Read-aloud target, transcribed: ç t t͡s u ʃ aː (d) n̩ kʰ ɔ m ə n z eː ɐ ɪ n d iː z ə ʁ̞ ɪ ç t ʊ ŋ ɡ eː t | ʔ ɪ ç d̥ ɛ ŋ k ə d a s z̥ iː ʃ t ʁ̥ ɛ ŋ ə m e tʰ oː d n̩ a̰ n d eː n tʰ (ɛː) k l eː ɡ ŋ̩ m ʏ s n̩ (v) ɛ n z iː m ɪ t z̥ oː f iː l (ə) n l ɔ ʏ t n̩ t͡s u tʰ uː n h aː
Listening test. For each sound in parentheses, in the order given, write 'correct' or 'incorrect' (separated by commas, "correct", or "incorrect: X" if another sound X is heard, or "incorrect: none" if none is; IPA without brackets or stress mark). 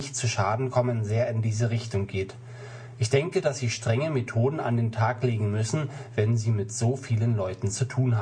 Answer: correct, incorrect: aː, correct, correct